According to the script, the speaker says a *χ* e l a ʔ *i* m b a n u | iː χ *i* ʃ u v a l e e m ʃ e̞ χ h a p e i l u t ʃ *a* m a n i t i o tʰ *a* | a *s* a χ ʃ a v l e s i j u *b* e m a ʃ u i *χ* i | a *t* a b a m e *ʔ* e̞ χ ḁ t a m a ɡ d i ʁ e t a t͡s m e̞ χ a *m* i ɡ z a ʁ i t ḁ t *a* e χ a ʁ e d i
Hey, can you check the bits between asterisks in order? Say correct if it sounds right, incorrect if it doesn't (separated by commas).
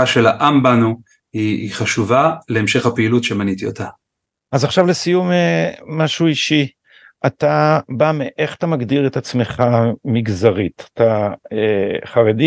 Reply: incorrect, incorrect, incorrect, incorrect, correct, incorrect, incorrect, incorrect, correct, correct, correct, correct